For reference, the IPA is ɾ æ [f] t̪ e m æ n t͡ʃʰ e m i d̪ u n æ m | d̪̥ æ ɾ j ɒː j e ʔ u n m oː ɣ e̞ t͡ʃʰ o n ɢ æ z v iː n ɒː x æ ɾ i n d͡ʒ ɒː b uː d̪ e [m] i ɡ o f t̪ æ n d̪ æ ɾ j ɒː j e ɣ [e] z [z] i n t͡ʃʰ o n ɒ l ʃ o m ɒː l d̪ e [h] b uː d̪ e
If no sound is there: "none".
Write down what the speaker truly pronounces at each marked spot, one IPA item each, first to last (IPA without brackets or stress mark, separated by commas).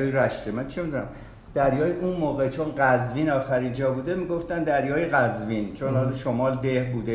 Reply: ʃ, m, æ, v, h